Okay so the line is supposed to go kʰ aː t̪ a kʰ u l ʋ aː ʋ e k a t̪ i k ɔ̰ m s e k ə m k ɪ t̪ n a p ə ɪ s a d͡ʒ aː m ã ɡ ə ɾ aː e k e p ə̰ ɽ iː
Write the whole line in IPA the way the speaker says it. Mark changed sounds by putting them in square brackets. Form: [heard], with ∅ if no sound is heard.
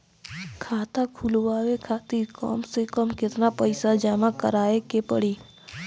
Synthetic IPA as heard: kʰ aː t̪ a kʰ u l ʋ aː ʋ e [kʰ] a t̪ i k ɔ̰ m s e k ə m k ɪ t̪ n a p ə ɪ s a d͡ʒ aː m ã [k] ə ɾ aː e k e p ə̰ ɽ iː

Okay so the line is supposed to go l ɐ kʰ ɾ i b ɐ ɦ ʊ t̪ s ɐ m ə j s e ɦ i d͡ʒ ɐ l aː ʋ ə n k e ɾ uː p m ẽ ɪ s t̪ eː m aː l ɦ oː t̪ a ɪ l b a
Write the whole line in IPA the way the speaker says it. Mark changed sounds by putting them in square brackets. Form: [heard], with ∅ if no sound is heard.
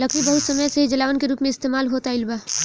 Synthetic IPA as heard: l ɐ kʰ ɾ i b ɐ ɦ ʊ t̪ s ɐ m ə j s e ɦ i d͡ʒ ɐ l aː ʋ ə n k e ɾ uː p m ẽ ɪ s t̪ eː m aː l ɦ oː t̪ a ɪ l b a

